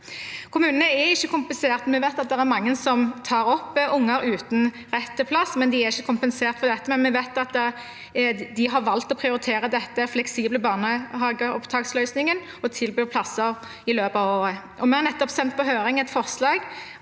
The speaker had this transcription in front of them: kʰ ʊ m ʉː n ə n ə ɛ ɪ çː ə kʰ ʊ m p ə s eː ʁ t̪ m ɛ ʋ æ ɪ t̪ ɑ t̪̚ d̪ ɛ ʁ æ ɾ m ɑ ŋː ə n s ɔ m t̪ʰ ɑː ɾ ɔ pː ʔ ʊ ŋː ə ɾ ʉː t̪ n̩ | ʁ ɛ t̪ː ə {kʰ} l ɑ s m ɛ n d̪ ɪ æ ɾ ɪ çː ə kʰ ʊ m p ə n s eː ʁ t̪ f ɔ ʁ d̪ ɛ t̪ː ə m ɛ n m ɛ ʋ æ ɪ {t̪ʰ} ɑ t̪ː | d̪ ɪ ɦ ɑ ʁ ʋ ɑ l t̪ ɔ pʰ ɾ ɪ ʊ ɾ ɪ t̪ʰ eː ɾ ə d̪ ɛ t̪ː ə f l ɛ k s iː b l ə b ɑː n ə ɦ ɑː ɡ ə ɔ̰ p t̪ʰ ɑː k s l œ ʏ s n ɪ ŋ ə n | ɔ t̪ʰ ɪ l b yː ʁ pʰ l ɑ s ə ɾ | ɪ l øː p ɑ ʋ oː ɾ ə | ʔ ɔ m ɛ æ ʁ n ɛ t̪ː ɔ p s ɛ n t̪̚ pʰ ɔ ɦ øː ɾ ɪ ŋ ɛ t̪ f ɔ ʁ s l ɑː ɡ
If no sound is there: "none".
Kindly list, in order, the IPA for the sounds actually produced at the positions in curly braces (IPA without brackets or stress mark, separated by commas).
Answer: pʰ, t̪